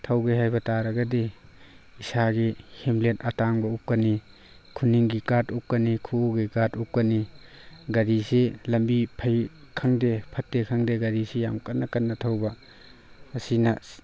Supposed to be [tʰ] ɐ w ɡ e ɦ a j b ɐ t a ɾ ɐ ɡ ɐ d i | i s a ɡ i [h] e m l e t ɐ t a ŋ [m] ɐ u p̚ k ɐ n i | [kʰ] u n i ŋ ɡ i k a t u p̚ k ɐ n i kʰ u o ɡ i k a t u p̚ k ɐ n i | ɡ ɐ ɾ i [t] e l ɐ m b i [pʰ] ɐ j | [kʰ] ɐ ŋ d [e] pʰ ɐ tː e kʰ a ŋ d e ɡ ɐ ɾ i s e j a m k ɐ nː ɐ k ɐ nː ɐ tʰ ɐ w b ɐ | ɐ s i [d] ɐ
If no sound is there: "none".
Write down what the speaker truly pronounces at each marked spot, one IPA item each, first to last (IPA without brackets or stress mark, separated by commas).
tʰ, h, b, kʰ, s, pʰ, kʰ, e, n